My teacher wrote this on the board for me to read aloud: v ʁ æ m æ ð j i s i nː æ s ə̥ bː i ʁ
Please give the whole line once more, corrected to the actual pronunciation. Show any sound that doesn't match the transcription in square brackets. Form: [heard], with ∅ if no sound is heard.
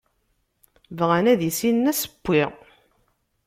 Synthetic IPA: v ʁ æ [n] æ ð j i s i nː æ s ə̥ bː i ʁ